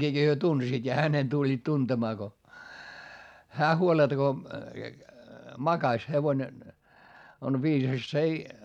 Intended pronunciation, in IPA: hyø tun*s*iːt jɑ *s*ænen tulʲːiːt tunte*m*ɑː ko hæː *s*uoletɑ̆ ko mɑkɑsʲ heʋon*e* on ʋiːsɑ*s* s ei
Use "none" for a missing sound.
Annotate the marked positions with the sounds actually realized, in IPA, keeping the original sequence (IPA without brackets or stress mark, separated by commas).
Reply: s, h, m, h, e, s